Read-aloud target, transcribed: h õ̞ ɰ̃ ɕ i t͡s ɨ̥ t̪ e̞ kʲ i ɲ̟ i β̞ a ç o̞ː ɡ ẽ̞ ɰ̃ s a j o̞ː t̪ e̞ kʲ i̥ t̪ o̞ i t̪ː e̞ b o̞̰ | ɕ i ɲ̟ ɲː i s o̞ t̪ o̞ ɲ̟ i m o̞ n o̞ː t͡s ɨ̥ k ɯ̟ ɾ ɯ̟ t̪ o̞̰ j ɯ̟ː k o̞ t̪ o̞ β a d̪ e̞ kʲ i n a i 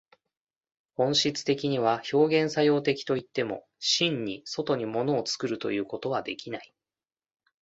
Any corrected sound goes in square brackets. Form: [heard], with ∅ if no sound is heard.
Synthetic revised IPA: h õ̞ ɰ̃ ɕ i t͡s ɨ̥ t̪ e̞ kʲ i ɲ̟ i β̞ a ç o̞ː ɡ ẽ̞ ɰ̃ s a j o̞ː t̪ e̞ kʲ i̥ t̪ o̞ i t̪ː e̞ [m] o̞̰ | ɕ [ĩ] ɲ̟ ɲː i s o̞ t̪ o̞ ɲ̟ i m o̞ n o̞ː t͡s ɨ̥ k ɯ̟ ɾ ɯ̟ t̪ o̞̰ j ɯ̟ː k o̞ t̪ o̞ β a d̪ e̞ kʲ i n a i